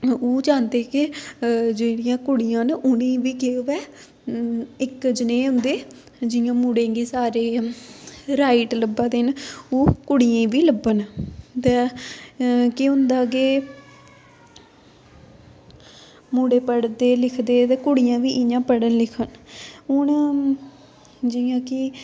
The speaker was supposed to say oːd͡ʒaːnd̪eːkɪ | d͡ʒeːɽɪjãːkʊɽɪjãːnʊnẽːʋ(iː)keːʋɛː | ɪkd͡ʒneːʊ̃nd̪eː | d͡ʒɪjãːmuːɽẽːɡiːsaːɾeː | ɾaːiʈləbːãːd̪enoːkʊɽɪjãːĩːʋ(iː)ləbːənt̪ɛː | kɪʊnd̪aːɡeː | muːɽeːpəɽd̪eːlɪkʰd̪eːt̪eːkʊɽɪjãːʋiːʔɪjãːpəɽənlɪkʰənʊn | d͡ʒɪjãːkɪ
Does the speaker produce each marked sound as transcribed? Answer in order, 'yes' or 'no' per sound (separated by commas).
yes, yes